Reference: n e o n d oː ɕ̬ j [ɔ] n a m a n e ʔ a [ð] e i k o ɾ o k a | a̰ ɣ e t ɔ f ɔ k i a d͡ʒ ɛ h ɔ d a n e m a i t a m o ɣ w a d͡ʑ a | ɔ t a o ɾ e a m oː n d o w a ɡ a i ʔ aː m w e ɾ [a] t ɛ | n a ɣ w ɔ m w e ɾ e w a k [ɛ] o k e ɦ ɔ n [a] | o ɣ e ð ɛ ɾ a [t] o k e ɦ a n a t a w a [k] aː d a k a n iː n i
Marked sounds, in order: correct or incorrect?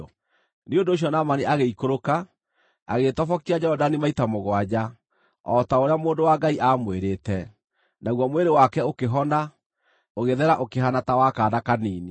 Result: correct, incorrect: ɣ, incorrect: e, correct, correct, incorrect: ʔ, correct

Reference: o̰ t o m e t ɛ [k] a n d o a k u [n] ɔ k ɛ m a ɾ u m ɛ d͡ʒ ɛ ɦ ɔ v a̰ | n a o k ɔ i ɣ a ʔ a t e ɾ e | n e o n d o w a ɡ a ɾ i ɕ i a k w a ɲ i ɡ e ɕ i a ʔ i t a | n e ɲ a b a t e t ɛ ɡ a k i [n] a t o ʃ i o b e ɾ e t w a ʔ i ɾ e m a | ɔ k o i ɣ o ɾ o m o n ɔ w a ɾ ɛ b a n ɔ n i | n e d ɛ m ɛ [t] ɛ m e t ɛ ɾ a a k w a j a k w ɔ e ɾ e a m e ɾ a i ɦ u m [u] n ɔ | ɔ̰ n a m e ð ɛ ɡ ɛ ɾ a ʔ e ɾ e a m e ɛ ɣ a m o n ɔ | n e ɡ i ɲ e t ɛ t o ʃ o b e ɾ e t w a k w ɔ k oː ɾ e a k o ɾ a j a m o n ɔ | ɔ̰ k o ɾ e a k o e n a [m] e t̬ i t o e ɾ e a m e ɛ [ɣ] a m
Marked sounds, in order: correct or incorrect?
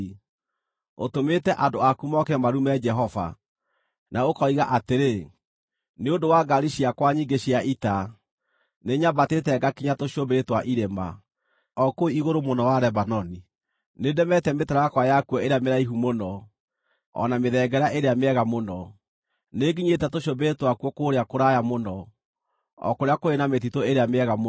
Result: incorrect: ʔ, incorrect: m, incorrect: ɲ, correct, incorrect: o, correct, correct

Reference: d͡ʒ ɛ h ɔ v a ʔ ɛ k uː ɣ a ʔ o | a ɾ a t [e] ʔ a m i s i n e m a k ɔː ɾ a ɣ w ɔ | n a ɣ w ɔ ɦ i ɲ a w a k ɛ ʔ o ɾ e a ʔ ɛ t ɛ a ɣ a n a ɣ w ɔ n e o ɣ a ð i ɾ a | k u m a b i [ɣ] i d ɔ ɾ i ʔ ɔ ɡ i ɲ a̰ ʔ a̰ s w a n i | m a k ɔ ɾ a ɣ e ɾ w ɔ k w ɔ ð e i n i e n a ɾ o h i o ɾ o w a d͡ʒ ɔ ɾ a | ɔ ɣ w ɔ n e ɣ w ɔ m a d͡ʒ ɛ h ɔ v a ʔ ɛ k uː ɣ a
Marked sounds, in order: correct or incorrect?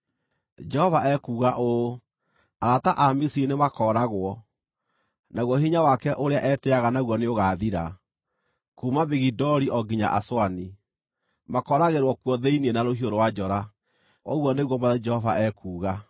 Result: incorrect: a, correct

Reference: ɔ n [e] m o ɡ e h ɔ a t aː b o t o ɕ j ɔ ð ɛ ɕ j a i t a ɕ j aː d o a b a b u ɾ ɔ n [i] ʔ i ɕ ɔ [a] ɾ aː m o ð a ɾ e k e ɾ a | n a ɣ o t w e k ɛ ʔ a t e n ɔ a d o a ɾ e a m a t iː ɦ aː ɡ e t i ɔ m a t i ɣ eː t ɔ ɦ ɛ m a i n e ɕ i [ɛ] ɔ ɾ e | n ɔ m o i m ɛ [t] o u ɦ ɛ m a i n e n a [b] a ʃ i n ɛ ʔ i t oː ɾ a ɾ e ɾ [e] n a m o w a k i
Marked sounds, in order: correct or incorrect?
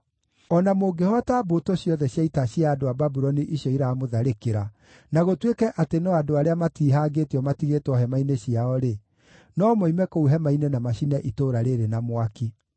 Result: incorrect: a, correct, incorrect: i, incorrect: a, incorrect: k, incorrect: m, correct

